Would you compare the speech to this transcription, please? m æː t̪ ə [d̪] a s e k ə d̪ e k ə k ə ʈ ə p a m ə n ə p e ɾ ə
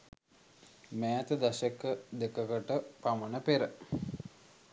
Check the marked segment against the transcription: correct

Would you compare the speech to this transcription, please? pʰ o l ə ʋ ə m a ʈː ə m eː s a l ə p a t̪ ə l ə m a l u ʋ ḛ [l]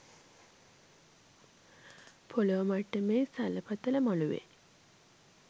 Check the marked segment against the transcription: incorrect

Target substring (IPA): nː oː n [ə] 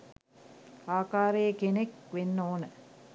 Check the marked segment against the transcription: correct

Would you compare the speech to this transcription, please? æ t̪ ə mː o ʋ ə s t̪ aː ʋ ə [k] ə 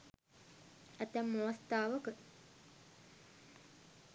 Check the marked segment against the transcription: correct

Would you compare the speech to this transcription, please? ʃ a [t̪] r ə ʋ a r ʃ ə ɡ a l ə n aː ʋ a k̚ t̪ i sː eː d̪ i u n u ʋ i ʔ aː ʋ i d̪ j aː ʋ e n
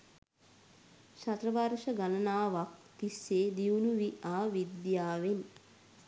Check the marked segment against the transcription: correct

